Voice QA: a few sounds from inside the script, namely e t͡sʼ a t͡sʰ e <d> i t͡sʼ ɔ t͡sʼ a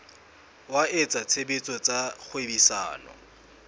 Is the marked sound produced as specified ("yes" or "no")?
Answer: no